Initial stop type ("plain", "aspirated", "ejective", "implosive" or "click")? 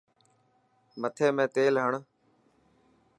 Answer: aspirated